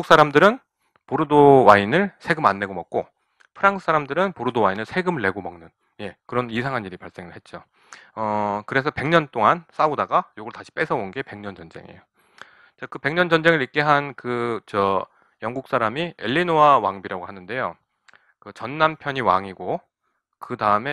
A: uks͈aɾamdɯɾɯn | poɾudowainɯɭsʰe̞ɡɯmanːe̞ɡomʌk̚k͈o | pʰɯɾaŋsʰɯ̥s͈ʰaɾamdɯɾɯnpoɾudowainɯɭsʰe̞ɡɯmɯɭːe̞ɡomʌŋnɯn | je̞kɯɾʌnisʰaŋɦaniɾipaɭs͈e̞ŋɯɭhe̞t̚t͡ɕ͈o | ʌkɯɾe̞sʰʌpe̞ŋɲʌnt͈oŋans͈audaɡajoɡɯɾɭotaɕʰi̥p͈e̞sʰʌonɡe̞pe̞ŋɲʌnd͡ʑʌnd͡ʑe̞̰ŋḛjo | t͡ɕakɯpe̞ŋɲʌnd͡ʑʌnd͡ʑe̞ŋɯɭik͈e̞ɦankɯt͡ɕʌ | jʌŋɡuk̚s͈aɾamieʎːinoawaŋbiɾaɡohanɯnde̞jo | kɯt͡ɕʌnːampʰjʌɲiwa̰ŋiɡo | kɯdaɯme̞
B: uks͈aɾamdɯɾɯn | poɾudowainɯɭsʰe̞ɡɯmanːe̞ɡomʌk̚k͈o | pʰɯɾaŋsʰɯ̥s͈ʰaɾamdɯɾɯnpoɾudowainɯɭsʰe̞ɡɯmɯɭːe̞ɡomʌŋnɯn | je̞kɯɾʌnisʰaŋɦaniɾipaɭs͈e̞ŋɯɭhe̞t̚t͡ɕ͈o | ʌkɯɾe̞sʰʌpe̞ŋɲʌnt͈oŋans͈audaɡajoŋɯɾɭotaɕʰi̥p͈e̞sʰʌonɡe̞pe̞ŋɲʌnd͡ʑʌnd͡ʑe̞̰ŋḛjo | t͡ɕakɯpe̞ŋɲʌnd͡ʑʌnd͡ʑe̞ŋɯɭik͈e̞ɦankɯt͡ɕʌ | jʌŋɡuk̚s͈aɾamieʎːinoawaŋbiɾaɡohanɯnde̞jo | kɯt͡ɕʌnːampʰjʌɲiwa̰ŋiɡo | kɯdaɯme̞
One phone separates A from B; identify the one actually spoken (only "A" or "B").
A